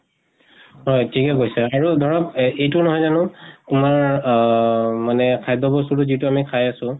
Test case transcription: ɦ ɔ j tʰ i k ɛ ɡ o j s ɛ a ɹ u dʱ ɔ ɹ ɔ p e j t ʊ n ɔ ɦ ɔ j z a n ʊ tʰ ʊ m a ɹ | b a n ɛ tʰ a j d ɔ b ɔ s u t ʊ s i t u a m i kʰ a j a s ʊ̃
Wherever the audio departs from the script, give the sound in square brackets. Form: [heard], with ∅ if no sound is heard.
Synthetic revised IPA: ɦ ɔ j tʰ i k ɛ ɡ o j s ɛ a ɹ u dʱ ɔ ɹ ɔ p e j t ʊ n ɔ ɦ ɔ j z a n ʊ [t] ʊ m a ɹ | [m] a n ɛ [kʰ] a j d ɔ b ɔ s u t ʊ [z] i t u a m i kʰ a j a s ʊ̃